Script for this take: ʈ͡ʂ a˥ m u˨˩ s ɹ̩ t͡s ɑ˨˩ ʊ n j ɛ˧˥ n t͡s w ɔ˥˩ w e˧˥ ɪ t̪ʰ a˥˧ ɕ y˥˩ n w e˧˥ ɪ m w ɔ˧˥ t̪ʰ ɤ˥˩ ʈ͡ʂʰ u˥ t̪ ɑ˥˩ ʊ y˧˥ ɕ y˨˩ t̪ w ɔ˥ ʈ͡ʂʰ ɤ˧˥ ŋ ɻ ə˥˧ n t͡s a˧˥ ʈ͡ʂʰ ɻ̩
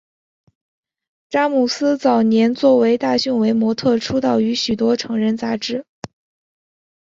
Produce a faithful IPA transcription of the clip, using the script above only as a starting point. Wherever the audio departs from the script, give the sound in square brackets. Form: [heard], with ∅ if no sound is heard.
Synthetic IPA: ʈ͡ʂ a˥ m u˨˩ s ɹ̩ t͡s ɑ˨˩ ʊ n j ɛ˧˥ n t͡s w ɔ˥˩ w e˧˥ ɪ [t̪] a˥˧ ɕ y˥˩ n w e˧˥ ɪ m w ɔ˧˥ t̪ʰ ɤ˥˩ ʈ͡ʂʰ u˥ t̪ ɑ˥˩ ʊ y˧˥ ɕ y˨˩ t̪ w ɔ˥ ʈ͡ʂʰ ɤ˧˥ ŋ ɻ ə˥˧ n t͡s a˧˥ [ʈ͡ʂ] ɻ̩